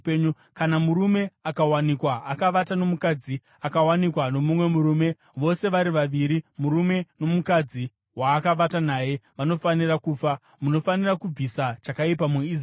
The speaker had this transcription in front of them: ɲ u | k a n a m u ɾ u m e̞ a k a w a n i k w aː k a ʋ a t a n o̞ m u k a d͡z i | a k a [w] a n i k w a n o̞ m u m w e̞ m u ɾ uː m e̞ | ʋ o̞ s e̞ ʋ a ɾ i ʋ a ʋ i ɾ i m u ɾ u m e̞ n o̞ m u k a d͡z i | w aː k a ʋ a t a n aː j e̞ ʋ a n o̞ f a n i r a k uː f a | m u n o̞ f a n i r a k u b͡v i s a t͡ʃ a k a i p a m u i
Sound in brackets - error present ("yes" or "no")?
no